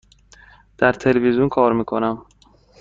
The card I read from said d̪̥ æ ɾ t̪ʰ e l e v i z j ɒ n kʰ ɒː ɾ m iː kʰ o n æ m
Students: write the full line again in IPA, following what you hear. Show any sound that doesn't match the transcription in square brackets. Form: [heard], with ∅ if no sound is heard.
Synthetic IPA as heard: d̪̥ æ ɾ t̪ʰ e l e v i z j [u] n kʰ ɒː ɾ m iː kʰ o n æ m

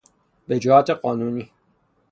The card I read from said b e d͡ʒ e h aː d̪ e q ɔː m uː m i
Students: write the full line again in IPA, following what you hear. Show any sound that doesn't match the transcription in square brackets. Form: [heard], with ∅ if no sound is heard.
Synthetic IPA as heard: b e d͡ʒ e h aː [t̪] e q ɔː [n] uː [n] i

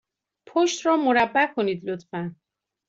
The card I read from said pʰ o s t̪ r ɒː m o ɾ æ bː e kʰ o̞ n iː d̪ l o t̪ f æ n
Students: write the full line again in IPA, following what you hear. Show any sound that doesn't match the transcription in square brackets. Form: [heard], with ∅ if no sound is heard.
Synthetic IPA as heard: pʰ o [ʃ] t̪ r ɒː m o ɾ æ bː [æ] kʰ o̞ n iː d̪ l o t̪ f æ n

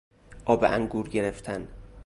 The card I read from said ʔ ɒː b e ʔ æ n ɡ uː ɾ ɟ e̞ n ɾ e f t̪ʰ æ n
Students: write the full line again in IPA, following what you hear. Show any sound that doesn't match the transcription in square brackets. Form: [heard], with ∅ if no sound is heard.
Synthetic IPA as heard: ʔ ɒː b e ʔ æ [ŋ] ɡ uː ɾ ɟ e̞ [∅] ɾ e f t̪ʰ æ n

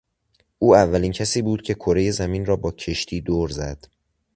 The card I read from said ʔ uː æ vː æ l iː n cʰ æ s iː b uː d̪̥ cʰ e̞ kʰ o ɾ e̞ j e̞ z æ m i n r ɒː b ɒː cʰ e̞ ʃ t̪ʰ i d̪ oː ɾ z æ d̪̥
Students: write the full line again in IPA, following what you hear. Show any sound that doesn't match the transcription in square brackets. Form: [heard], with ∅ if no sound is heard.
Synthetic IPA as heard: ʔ uː æ vː æ l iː n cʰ æ s iː b uː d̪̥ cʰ e̞ kʰ o ɾ e̞ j e̞ z æ m i n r ɒː b ɒː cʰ e̞ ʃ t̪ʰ [iː] d̪ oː ɾ z æ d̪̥

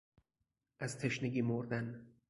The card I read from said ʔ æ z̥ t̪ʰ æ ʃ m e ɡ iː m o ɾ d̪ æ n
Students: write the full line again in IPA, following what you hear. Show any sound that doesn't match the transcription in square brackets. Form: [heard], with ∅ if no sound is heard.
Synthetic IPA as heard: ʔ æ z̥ t̪ʰ [e] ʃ [n] e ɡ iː m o ɾ d̪ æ n

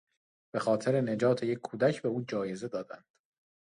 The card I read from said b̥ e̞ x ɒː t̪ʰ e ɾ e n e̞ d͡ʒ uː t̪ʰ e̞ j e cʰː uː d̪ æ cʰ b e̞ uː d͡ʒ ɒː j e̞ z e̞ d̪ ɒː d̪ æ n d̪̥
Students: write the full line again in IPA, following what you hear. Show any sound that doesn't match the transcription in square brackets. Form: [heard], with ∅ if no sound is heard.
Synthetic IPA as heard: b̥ e̞ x ɒː t̪ʰ e ɾ e n e̞ d͡ʒ [ɒː] t̪ʰ e̞ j e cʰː uː d̪ æ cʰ b e̞ uː d͡ʒ ɒː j e̞ z e̞ d̪ ɒː d̪ æ n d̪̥

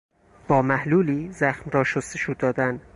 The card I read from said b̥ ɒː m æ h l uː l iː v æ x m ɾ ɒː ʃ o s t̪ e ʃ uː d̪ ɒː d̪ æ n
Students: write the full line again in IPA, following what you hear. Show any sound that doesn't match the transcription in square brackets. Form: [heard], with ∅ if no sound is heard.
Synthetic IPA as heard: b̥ ɒː m æ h l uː l iː [z] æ x m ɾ ɒː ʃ o s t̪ e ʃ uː d̪ ɒː d̪ æ n

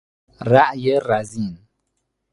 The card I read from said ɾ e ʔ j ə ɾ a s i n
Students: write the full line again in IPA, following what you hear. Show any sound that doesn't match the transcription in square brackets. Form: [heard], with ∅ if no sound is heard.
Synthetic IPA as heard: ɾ [a] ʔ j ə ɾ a [z] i n

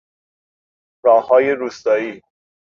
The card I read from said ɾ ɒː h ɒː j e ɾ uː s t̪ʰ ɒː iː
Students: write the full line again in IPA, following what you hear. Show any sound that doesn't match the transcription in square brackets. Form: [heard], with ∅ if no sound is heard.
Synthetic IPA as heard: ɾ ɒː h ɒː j e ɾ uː s [t̪] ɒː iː

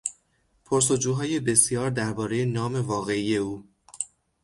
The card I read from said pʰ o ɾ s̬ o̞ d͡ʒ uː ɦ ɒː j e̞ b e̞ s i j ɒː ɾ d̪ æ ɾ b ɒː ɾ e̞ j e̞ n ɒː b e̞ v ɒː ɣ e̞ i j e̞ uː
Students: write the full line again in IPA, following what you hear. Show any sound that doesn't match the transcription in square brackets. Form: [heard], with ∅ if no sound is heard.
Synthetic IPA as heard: pʰ o ɾ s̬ o̞ d͡ʒ uː ɦ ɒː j e̞ b e̞ s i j ɒː ɾ d̪ æ ɾ b ɒː ɾ e̞ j e̞ n ɒː [m] e̞ v ɒː ɣ e̞ i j e̞ uː

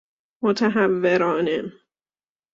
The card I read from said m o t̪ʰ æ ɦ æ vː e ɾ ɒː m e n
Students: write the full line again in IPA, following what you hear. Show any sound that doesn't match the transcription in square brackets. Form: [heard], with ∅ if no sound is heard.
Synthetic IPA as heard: m o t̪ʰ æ ɦ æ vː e ɾ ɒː [n] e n

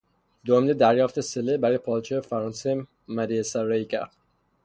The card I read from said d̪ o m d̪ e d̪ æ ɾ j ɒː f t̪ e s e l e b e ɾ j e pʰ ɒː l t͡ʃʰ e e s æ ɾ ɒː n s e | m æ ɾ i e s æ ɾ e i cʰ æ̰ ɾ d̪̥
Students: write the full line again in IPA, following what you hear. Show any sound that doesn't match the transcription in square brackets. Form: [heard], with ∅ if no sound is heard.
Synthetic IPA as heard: d̪ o m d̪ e d̪ æ ɾ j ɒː f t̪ e s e l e b [æ] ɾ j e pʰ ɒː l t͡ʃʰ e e [f] æ ɾ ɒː n s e | m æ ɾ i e s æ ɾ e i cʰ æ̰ ɾ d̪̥

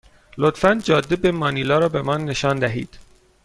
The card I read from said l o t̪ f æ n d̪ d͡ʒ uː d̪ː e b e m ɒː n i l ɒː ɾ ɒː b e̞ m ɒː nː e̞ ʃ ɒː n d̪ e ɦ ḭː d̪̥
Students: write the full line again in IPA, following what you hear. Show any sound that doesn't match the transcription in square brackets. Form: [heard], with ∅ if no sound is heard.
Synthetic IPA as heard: l o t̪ f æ n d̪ d͡ʒ [ɒː] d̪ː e b e m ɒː n i l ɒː ɾ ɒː b e̞ m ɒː nː e̞ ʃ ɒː n d̪ [æ] ɦ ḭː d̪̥

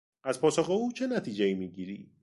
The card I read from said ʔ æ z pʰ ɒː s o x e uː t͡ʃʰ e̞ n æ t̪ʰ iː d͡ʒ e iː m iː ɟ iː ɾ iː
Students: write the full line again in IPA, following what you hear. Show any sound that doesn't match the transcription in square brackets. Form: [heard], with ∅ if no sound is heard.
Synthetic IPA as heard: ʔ æ z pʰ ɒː s o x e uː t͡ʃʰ e̞ n æ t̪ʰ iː d͡ʒ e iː m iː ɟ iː ɾ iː

